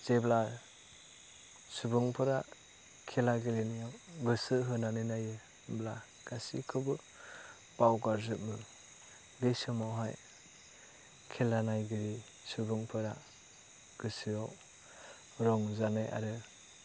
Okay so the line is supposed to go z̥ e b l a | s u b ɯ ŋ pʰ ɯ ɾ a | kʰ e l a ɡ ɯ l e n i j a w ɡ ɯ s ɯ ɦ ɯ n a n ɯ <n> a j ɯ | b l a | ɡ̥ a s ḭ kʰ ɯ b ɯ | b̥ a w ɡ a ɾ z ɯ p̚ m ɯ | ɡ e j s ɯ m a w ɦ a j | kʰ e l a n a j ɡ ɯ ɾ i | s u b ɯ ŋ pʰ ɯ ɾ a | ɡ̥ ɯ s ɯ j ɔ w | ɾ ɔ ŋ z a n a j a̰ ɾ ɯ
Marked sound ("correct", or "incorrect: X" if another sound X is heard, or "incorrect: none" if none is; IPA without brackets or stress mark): correct